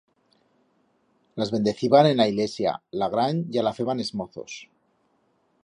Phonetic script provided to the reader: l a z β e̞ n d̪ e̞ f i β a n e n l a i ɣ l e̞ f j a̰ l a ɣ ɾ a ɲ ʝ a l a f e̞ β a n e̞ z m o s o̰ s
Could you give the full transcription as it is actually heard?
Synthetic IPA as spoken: l a z β e̞ n d̪ e̞ θ i β a n e n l a i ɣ l e̞ s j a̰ l a ɣ ɾ a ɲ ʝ a l a f e̞ β a n e̞ z m o θ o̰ s